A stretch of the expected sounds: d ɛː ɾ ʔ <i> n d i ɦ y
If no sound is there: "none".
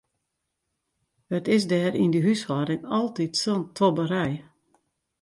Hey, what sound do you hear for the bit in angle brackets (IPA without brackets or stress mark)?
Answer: i